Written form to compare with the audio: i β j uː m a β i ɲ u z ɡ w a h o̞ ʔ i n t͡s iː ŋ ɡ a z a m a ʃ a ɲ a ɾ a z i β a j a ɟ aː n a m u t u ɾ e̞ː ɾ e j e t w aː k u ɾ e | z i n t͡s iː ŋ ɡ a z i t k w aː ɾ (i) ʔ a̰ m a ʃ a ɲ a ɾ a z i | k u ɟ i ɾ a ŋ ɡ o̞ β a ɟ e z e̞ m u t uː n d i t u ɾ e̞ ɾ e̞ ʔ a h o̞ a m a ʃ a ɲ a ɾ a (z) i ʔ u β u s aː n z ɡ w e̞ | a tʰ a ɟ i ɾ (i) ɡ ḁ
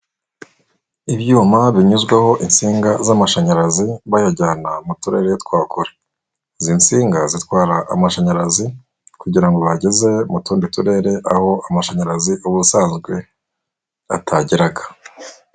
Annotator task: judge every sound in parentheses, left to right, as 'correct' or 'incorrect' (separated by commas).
incorrect, correct, incorrect